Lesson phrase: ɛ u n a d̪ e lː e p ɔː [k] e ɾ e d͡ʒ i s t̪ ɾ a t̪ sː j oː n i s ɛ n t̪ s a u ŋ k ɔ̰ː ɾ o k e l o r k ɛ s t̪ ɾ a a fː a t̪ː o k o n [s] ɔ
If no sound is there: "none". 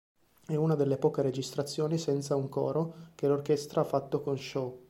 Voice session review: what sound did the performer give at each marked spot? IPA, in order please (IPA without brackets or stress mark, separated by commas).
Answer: k, ʃ